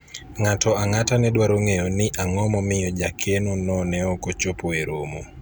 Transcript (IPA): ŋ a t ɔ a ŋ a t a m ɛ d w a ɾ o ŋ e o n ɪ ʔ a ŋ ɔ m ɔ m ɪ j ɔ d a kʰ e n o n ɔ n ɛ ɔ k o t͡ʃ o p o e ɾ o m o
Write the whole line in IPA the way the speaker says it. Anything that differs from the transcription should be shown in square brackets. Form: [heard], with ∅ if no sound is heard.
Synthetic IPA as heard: ŋ a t ɔ a ŋ a t a [n] ɛ d w a ɾ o ŋ e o n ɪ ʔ a ŋ ɔ m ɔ m ɪ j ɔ [d͡ʒ] a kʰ e n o n ɔ n ɛ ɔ k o t͡ʃ o p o e ɾ o m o